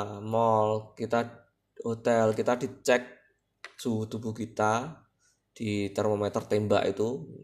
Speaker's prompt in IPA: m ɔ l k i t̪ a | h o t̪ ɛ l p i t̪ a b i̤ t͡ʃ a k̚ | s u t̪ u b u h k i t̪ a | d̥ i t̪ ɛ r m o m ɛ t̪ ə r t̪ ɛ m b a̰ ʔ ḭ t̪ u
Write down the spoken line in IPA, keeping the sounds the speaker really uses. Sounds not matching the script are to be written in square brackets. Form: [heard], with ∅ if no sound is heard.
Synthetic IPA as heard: m ɔ l k i t̪ a | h o t̪ ɛ l [k] i t̪ a [d] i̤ t͡ʃ [ɛ] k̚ | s u t̪ u b u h k i t̪ a | d̥ i t̪ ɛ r m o m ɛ t̪ ə r t̪ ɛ m b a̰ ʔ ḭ t̪ u